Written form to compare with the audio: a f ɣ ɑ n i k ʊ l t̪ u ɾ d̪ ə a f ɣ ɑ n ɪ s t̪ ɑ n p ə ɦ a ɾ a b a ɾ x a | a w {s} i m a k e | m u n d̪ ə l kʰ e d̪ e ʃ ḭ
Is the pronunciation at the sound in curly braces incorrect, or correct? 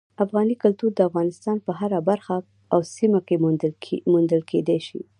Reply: correct